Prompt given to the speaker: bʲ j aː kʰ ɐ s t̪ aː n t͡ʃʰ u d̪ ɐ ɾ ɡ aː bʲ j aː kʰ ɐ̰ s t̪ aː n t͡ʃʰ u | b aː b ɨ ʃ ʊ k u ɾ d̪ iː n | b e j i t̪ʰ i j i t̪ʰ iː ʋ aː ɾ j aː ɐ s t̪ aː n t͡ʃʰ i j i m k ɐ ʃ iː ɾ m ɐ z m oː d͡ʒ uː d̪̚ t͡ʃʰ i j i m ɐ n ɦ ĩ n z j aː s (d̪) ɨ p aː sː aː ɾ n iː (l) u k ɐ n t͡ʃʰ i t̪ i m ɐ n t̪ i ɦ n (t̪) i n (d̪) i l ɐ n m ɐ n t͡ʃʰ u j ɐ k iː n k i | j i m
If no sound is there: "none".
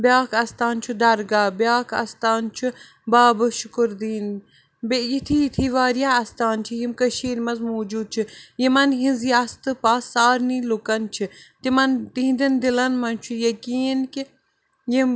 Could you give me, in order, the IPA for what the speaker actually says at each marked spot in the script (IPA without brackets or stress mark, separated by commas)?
t̪, l, d̪, d̪